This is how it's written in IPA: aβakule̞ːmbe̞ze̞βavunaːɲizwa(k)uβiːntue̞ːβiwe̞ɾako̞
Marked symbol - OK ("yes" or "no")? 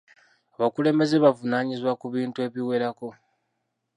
yes